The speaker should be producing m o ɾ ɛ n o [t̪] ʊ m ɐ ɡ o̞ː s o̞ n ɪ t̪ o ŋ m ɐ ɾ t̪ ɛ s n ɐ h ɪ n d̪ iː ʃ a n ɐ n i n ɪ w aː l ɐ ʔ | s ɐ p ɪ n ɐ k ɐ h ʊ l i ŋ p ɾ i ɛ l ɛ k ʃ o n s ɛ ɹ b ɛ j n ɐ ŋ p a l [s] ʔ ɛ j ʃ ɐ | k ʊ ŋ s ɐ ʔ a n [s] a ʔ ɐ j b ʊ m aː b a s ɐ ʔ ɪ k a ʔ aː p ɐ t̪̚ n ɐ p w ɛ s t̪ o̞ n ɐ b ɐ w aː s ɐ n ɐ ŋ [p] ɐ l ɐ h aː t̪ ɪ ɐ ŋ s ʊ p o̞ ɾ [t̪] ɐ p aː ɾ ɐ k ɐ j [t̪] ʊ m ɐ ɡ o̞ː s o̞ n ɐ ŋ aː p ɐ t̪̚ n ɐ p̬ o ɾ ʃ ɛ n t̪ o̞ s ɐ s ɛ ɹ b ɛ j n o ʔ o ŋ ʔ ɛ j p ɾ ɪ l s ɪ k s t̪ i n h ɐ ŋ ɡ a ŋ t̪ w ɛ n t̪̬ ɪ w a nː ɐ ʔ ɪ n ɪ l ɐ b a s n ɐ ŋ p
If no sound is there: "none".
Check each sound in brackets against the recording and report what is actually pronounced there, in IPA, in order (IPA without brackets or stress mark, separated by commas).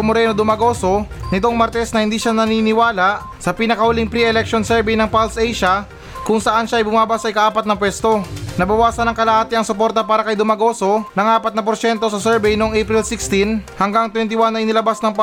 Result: d̪, s, ʃ, k, t̪, d̪